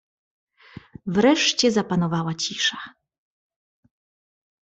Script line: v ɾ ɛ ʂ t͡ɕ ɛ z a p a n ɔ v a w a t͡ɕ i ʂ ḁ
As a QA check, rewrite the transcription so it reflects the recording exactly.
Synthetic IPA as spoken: v ɾ ɛ ʂ t͡ɕ ɛ z a p a n ɔ v a w a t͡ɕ i ʂ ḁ